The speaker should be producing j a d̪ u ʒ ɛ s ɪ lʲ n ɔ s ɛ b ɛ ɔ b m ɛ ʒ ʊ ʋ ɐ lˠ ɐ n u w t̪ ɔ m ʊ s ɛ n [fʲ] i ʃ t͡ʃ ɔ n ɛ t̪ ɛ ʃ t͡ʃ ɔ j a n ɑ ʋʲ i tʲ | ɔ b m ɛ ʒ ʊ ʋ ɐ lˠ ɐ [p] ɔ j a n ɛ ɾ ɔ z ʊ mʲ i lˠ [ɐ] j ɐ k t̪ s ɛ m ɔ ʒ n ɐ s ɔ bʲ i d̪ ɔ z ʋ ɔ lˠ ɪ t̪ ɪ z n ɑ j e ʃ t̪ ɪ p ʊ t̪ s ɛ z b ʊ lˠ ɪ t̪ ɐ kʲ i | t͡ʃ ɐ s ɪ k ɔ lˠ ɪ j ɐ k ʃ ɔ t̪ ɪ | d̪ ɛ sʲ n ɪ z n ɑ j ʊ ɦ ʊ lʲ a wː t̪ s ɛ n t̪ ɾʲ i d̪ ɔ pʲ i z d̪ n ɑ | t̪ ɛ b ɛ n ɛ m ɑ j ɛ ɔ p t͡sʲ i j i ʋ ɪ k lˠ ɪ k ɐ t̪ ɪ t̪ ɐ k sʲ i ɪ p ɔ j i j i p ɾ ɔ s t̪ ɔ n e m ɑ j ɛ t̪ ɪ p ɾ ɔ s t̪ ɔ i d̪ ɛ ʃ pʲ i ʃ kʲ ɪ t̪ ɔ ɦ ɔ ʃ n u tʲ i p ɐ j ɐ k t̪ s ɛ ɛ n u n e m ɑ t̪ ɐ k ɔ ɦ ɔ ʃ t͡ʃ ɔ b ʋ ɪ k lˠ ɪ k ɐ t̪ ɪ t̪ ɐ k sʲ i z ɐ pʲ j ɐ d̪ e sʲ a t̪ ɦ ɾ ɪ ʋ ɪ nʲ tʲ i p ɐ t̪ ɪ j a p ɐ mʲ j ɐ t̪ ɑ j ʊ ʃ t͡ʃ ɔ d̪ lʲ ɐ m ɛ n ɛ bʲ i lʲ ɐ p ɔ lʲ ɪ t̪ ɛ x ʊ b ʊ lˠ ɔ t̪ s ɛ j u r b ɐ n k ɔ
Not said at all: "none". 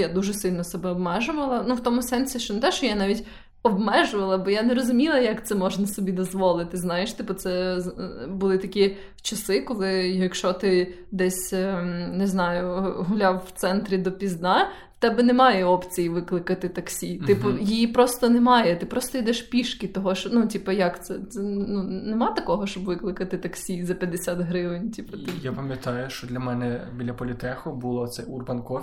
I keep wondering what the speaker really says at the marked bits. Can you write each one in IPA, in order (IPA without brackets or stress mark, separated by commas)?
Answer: sʲ, b, ɐ